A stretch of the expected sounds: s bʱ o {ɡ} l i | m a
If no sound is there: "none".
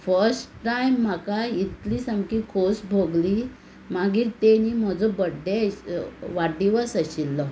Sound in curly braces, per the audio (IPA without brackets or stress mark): ɡ